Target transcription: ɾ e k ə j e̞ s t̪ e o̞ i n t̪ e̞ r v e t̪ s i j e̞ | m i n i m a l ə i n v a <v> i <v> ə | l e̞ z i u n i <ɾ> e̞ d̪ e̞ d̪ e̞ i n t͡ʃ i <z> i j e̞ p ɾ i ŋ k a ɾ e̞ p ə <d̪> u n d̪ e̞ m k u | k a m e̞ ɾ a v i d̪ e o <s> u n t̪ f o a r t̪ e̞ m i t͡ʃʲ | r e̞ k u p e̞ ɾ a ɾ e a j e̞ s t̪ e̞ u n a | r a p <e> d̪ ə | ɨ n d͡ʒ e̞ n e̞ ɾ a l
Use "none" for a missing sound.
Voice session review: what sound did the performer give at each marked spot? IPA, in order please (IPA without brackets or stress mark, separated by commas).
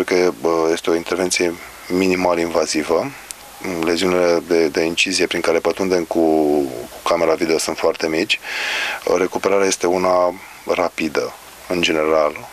z, v, l, z, t̪, s, i